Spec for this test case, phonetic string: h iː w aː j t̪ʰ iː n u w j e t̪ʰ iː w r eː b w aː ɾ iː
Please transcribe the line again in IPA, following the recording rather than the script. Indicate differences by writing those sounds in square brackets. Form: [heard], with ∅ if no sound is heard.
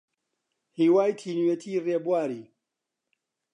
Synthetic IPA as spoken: h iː w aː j t̪ʰ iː n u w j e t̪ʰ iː [∅] r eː b w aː ɾ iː